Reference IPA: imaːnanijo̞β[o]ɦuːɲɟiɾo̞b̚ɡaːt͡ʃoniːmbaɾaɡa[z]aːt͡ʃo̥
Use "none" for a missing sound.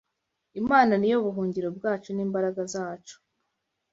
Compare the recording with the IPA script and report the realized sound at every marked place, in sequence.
u, z

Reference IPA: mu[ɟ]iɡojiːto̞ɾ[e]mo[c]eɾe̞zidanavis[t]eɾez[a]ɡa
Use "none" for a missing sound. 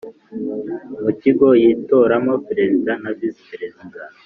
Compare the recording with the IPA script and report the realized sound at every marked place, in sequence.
c, a, p, p, i

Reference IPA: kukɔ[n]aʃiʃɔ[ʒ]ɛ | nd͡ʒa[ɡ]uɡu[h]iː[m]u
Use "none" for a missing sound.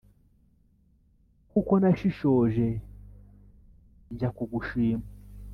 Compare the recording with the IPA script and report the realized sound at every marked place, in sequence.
n, ʒ, k, ʃ, m

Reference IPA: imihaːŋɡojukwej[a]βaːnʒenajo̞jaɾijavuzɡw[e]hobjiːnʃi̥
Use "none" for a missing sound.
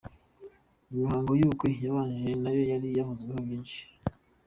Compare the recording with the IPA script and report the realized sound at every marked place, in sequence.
a, e

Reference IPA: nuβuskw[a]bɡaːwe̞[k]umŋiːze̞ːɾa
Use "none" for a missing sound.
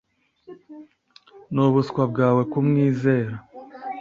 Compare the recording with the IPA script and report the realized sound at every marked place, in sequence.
a, k

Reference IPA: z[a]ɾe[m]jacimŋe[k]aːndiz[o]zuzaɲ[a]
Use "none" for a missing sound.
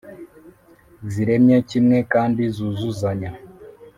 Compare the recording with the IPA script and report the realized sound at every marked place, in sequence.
i, m, k, u, a

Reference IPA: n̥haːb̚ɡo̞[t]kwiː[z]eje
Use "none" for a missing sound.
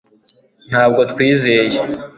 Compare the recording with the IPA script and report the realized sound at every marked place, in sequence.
t, z

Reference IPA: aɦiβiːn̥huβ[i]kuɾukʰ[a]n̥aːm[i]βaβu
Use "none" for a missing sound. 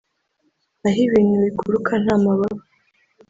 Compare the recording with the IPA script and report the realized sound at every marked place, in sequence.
i, a, a

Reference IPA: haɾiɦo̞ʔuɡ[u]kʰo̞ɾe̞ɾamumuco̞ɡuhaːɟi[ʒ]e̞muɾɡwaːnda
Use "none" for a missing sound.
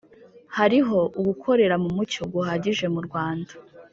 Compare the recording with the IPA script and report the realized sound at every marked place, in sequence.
u, ʒ

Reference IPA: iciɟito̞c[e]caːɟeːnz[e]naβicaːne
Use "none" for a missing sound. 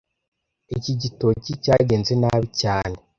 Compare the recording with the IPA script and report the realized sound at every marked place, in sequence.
i, e

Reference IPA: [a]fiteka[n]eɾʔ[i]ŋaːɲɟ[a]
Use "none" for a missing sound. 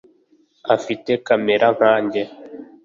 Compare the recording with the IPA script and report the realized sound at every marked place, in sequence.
a, m, a, e

